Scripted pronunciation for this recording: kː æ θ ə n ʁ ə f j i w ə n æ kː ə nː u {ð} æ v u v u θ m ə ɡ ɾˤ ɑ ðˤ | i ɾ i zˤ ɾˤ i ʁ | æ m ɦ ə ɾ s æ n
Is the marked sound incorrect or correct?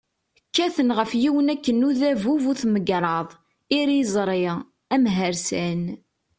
correct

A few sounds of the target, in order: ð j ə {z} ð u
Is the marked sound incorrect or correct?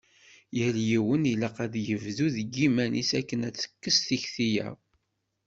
incorrect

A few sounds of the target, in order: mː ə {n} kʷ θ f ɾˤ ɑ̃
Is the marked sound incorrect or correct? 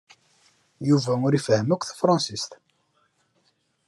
incorrect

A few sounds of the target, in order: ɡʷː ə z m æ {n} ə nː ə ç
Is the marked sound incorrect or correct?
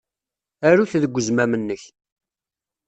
incorrect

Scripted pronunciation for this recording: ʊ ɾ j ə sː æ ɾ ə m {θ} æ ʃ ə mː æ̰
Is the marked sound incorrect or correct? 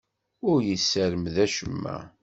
incorrect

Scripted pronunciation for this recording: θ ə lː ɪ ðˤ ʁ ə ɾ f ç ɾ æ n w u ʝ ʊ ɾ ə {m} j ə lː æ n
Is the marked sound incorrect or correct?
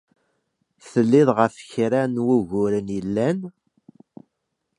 incorrect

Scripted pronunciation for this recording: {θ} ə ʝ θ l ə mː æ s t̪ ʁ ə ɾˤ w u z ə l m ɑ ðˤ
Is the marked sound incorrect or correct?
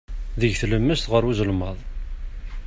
incorrect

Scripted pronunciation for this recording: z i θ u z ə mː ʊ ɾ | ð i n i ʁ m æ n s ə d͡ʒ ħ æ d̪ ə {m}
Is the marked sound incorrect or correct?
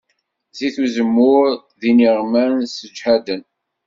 incorrect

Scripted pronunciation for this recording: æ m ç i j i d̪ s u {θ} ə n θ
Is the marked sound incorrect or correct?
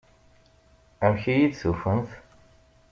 incorrect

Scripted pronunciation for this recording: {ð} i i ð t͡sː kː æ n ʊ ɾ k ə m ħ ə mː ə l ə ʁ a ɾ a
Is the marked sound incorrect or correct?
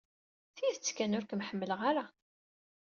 incorrect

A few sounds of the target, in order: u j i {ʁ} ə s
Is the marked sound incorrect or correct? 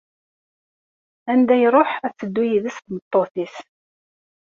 incorrect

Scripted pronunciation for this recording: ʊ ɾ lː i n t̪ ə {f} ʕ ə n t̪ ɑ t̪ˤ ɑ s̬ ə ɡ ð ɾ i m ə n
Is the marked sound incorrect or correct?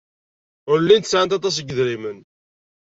incorrect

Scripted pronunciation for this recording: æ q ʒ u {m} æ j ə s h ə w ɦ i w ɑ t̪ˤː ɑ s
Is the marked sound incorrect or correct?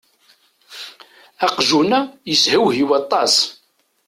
incorrect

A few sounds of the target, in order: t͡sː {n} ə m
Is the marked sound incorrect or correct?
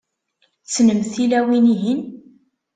correct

